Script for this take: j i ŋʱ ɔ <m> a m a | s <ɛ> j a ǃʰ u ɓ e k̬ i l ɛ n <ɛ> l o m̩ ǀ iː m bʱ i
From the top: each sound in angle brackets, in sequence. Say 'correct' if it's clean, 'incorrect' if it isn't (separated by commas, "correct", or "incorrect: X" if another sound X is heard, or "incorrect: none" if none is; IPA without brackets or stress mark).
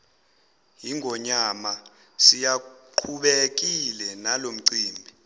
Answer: incorrect: ɲ, incorrect: i, incorrect: a